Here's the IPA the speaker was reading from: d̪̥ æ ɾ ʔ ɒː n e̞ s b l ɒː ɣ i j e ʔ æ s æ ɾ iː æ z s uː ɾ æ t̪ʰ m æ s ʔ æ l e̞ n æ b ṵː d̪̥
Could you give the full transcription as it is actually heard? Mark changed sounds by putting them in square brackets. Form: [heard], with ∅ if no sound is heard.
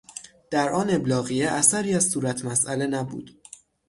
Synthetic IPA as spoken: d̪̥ æ ɾ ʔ ɒː n e̞ [∅] b l ɒː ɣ i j e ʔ æ s æ ɾ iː æ z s uː ɾ æ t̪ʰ m æ s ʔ æ l e̞ n æ b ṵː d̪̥